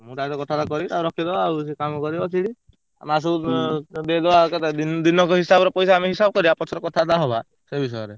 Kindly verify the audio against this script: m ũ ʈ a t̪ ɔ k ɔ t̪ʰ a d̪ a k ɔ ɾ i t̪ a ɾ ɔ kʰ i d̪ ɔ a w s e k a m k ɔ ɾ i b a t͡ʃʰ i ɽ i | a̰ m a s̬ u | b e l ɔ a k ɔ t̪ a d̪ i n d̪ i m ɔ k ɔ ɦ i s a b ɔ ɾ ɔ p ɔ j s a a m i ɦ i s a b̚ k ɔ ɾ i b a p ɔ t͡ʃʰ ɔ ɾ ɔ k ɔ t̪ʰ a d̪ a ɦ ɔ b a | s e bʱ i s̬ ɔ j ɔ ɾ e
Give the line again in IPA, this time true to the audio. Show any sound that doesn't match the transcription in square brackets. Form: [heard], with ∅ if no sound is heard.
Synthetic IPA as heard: m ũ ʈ a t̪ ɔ k ɔ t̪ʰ a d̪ a k ɔ ɾ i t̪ a ɾ ɔ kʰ i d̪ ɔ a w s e k a m k ɔ ɾ i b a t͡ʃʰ i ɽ i | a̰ m a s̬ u | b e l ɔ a k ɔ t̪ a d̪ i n d̪ i [n] ɔ k ɔ ɦ i s a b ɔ ɾ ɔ p ɔ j s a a m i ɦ i s a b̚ k ɔ ɾ i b a p ɔ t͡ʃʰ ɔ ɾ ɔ k ɔ t̪ʰ a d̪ a ɦ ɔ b a | s e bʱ i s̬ ɔ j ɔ ɾ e